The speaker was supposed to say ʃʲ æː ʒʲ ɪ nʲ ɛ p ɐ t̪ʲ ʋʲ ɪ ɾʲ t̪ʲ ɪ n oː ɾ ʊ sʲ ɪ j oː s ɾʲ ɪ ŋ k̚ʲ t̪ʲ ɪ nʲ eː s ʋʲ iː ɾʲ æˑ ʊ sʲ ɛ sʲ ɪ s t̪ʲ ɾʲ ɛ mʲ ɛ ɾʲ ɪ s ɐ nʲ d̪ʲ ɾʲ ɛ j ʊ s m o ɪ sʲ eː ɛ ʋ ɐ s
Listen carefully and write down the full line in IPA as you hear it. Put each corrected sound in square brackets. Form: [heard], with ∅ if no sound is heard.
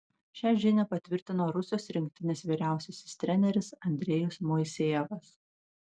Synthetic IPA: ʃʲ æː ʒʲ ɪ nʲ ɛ p ɐ t̪ʲ ʋʲ ɪ ɾʲ t̪ʲ ɪ n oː ɾ ʊ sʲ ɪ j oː s ɾʲ ɪ ŋ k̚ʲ t̪ʲ ɪ nʲ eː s ʋʲ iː ɾʲ æˑ ʊ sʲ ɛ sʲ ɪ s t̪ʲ ɾʲ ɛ [nʲ] ɛ ɾʲ ɪ s ɐ nʲ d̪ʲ ɾʲ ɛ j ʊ s m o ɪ sʲ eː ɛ ʋ ɐ s